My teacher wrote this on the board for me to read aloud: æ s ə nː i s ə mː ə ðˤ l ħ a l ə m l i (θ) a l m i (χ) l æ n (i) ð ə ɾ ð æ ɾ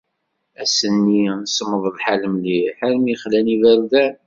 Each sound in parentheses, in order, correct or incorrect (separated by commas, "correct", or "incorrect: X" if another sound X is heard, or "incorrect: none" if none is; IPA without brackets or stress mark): incorrect: ħ, correct, correct